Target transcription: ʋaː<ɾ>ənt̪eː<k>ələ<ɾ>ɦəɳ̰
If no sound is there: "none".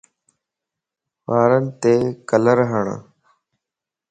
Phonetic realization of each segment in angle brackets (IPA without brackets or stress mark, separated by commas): ɾ, k, ɾ